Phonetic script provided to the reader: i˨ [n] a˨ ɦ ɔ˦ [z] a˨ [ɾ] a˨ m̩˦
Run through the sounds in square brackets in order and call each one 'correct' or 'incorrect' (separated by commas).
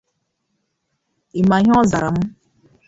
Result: incorrect, correct, correct